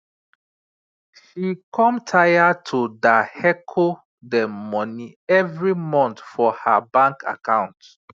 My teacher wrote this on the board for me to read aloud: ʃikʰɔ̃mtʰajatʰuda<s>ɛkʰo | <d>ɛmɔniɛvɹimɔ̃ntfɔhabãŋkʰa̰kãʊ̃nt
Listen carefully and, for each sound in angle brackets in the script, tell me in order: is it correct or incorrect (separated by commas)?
incorrect, correct